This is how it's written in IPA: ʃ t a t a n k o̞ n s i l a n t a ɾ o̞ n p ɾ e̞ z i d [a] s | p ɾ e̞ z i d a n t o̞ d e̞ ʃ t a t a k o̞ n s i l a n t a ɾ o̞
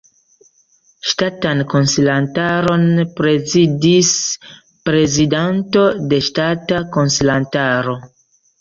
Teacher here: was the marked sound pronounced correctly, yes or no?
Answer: no